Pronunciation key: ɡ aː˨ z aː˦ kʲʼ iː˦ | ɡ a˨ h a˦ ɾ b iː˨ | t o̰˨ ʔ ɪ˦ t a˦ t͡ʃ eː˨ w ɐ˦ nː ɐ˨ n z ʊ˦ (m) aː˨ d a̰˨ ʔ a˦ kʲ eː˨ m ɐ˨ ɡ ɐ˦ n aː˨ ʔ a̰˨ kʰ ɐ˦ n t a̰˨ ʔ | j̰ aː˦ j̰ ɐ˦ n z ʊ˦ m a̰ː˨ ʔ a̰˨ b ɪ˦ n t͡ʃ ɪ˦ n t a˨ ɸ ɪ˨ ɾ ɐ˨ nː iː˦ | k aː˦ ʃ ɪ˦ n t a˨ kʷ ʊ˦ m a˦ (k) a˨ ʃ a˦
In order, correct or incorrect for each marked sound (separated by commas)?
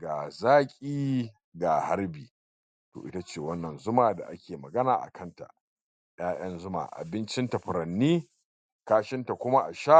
correct, incorrect